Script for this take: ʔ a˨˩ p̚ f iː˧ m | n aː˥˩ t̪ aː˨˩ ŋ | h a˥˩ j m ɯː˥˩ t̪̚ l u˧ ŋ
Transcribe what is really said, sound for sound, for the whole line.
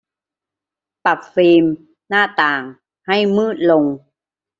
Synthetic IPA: p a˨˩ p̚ f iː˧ m | n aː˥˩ t̪ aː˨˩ ŋ | h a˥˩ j m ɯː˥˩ t̪̚ l o˧ ŋ